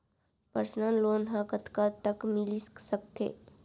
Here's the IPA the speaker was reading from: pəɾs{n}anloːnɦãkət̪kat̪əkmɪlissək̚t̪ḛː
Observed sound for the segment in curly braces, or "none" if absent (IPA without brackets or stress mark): n